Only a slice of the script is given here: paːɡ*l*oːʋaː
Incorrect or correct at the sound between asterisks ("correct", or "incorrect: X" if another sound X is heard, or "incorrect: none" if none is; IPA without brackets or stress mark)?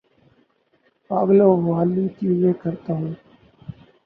correct